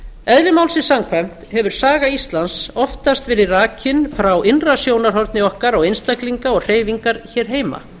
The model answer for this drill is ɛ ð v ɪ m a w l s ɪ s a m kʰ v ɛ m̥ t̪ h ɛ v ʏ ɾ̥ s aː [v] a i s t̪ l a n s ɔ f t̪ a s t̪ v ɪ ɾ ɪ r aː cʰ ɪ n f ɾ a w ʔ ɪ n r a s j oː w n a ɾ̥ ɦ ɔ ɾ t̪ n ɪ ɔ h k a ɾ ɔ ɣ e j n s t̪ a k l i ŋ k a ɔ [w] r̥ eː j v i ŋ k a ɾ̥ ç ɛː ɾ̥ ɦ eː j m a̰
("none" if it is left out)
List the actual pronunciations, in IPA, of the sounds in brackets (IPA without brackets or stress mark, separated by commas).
ɣ, ɣ